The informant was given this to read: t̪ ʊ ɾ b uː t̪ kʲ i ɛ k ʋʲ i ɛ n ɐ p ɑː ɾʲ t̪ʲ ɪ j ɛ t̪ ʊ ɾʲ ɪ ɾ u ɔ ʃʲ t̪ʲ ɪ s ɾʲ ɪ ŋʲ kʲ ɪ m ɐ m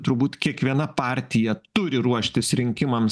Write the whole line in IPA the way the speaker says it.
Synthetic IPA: t̪ ʊ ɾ b uː t̪ kʲ i ɛ k ʋʲ i ɛ n ɐ p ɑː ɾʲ t̪ʲ ɪ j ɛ t̪ ʊ ɾʲ ɪ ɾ u ɔ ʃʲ t̪ʲ ɪ s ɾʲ ɪ ŋʲ kʲ ɪ m ɐ m